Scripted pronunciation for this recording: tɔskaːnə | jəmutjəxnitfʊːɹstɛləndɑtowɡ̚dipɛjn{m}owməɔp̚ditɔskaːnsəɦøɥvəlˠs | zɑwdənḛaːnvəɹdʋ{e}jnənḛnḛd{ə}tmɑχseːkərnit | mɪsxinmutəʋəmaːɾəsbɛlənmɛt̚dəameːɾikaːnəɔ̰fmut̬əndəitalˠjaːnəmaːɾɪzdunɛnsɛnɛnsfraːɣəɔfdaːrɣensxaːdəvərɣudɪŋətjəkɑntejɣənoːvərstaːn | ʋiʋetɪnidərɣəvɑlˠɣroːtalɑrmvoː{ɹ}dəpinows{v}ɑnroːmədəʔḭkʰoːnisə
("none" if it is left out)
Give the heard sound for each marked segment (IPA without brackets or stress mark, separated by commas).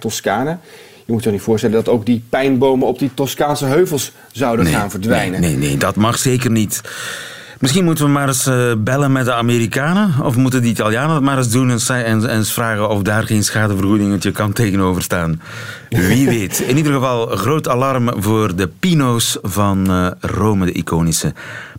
b, ɛ, ɑ, r, v